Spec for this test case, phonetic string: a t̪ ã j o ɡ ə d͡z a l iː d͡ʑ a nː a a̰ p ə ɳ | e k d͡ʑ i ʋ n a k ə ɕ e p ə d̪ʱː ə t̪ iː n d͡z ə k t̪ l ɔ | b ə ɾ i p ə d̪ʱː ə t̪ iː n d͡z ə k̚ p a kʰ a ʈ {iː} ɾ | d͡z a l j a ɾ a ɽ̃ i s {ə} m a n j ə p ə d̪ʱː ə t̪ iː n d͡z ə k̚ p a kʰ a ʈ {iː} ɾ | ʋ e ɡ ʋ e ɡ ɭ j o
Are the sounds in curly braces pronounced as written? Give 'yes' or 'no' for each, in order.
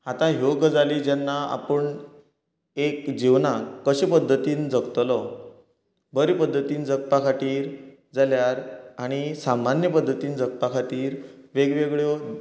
yes, no, yes

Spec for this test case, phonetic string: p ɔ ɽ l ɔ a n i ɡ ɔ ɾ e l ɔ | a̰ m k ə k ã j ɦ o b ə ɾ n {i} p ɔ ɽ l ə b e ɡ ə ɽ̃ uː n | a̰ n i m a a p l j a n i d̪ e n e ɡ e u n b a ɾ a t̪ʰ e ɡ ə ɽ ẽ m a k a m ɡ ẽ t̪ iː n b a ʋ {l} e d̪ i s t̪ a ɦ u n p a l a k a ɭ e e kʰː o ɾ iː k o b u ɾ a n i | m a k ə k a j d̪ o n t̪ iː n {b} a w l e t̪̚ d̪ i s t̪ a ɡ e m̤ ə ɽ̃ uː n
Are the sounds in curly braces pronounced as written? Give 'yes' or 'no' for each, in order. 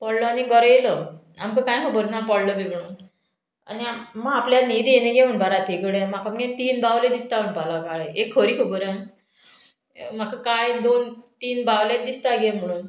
no, yes, yes

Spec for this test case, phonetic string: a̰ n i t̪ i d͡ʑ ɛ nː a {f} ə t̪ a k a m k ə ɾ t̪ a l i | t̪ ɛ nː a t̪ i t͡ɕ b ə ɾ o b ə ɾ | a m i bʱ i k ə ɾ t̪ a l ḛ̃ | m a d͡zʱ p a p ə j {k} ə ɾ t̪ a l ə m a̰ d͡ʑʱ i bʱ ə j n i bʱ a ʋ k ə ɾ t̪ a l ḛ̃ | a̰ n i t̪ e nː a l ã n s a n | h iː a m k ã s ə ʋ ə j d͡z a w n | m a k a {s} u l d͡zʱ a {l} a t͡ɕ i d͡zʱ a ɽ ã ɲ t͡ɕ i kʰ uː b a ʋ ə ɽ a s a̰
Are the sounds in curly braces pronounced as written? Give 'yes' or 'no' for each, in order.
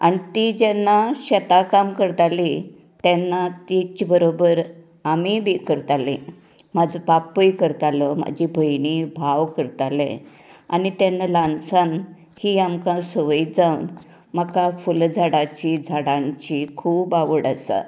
no, yes, no, no

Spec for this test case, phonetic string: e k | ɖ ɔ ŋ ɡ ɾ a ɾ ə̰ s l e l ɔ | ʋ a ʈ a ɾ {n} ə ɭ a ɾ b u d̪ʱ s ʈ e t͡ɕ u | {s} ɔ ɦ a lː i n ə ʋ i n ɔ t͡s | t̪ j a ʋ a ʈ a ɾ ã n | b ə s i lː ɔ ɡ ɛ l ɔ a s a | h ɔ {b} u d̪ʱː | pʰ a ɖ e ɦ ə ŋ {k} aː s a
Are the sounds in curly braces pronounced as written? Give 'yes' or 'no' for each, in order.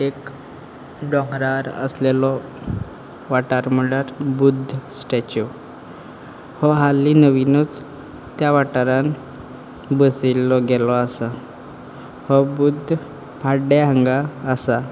no, no, yes, no

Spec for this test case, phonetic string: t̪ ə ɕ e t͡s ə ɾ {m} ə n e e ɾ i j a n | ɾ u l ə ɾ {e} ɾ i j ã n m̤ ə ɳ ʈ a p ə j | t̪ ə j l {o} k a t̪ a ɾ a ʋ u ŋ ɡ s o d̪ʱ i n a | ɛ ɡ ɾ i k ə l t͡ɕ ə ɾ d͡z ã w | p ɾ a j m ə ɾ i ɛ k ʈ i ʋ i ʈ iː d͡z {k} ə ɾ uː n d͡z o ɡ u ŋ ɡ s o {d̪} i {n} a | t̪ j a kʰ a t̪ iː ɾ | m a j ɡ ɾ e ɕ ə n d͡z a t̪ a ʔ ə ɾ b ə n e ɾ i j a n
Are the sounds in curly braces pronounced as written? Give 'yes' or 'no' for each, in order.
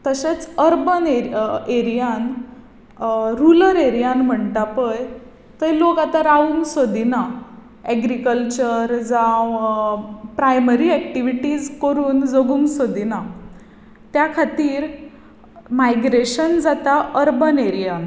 no, yes, yes, yes, yes, yes

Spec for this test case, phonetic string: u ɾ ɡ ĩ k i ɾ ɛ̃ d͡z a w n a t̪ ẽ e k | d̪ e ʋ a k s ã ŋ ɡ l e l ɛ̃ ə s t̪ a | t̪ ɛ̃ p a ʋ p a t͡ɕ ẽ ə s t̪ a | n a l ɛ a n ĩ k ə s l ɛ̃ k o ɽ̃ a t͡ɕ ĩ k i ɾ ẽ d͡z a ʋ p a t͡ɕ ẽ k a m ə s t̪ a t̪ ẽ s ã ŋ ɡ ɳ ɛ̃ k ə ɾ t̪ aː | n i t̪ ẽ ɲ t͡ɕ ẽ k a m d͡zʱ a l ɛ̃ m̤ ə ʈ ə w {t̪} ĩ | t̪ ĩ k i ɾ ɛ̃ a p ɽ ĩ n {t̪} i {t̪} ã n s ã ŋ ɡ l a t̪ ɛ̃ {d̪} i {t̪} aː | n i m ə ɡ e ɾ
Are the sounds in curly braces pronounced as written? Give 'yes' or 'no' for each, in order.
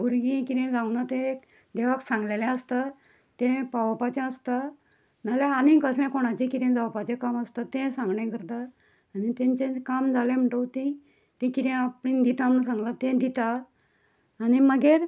yes, no, yes, yes, yes

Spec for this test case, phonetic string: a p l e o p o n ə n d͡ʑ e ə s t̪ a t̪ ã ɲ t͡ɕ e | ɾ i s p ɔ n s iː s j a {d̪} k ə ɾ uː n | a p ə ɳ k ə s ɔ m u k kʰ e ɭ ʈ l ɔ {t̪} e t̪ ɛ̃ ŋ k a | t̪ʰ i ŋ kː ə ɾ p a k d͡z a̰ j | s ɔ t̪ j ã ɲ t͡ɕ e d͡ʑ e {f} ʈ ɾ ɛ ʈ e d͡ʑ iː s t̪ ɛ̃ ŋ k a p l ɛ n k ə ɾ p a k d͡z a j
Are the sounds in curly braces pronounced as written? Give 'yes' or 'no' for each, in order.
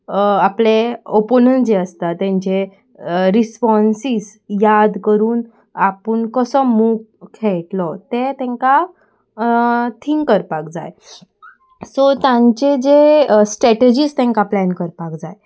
yes, yes, no

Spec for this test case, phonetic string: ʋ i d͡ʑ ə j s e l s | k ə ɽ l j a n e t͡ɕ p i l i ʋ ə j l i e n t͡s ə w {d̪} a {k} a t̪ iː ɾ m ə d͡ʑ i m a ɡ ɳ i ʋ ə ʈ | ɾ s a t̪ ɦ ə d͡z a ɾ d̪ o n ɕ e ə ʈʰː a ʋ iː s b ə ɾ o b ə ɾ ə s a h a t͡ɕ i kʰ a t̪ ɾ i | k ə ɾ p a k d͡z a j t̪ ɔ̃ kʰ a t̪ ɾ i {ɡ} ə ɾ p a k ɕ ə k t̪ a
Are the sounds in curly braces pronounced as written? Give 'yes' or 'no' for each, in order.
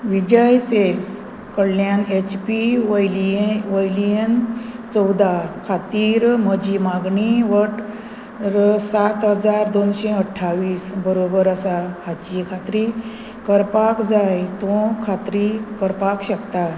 yes, no, no

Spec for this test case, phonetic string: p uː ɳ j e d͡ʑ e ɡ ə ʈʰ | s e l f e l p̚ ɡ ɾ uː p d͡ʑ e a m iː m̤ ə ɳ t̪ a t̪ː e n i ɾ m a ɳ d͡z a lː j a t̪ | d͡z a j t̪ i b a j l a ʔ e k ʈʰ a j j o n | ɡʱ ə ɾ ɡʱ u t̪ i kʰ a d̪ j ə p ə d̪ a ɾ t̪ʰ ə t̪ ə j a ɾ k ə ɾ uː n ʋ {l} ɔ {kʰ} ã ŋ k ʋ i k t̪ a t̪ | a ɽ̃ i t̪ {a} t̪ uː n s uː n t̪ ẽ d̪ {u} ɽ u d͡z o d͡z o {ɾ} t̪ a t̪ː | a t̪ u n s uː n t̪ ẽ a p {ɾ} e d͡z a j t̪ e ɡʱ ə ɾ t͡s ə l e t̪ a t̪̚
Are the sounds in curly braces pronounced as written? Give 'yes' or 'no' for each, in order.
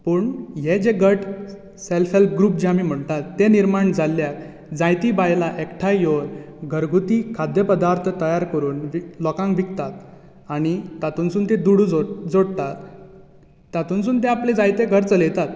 yes, no, yes, yes, no, no

